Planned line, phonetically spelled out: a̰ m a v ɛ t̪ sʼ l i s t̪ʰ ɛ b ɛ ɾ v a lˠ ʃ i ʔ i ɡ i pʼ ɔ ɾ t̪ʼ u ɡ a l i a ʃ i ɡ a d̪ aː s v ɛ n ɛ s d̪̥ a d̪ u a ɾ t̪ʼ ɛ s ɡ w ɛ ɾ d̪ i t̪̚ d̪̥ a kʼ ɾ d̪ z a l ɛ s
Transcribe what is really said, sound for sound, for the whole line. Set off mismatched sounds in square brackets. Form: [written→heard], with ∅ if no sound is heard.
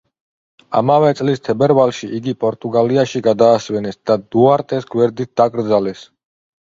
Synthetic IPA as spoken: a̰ m a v ɛ t̪ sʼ l i s t̪ʰ ɛ b ɛ ɾ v a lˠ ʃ i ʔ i ɡ i pʼ ɔ ɾ t̪ʼ u ɡ a l i a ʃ i ɡ a d̪ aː s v ɛ n ɛ s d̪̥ a d̪ u a ɾ t̪ʼ ɛ s ɡ w ɛ ɾ d̪ i t̪̚ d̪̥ a kʼ ɾ d̪ z a l ɛ s